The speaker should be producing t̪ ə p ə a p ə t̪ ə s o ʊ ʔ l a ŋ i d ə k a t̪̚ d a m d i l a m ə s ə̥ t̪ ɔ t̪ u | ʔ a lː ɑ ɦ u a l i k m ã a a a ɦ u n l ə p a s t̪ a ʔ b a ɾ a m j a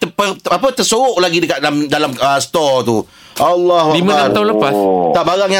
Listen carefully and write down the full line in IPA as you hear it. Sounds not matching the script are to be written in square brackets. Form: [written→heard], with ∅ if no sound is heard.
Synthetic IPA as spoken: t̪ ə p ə a p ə t̪ ə s o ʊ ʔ l a [ŋ→ɡ] i d ə k a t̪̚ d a m d [i→a] l a m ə s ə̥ t̪ ɔ t̪ u | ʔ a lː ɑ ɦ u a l i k m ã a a a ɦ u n l ə p a s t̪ a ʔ b a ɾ a [m→ŋ] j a